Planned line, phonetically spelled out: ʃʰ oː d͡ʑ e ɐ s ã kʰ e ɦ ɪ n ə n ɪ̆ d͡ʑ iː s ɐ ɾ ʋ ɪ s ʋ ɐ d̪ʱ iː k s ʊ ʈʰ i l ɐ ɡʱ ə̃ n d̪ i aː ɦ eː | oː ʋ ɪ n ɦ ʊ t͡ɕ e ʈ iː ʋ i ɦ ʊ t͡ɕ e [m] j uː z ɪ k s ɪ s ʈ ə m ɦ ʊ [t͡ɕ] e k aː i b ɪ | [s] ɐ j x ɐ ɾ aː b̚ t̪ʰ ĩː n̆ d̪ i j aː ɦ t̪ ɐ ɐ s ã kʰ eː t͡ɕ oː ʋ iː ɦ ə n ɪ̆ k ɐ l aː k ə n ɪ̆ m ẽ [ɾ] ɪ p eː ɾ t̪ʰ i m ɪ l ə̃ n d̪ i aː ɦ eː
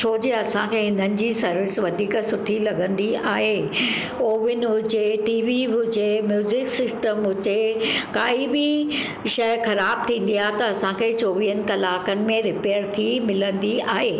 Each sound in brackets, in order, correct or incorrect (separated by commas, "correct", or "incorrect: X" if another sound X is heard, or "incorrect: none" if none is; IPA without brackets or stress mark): correct, correct, incorrect: ʃ, correct